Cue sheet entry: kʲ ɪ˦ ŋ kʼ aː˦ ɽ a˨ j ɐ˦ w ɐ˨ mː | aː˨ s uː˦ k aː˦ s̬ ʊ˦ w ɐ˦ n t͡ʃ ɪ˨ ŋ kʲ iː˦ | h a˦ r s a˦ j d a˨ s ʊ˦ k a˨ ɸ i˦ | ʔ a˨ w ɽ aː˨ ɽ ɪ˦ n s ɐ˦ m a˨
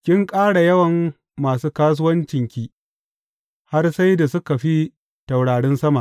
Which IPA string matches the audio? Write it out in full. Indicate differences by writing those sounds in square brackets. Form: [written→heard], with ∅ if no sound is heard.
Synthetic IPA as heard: kʲ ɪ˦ ŋ kʼ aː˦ ɽ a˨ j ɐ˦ w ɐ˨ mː | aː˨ s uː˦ k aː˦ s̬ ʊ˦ w ɐ˦ n t͡ʃ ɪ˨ ŋ kʲ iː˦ | h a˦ r s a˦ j d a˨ s ʊ˦ k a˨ ɸ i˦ | [ʔ→t] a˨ w ɽ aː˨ ɽ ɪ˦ n s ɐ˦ m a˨